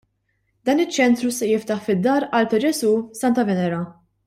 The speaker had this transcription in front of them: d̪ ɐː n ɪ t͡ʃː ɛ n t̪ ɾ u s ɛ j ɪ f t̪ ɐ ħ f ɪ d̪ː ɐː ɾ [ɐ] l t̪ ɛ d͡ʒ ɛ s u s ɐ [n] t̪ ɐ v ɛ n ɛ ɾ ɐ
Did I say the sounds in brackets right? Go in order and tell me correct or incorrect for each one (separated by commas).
correct, correct